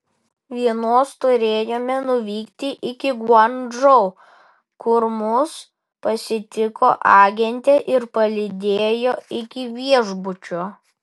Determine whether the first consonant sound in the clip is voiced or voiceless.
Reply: voiced